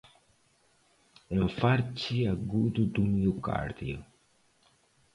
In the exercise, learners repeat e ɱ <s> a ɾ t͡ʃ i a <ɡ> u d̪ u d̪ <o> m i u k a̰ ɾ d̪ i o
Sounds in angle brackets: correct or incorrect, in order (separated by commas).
incorrect, correct, incorrect